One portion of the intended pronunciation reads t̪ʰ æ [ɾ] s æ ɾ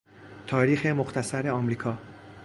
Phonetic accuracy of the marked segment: incorrect: none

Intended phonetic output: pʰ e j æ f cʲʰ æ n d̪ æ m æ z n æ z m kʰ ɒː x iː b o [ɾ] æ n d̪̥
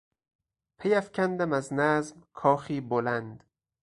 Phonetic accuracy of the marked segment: incorrect: l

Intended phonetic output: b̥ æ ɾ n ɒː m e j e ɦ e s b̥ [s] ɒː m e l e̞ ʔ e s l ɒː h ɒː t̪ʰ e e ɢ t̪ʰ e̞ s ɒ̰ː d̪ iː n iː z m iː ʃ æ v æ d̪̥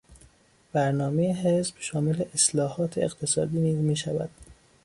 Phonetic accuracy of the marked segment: incorrect: ʃ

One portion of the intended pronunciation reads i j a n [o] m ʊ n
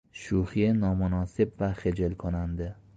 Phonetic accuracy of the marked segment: incorrect: ɒ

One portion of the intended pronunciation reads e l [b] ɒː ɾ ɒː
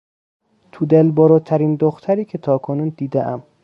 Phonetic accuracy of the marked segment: correct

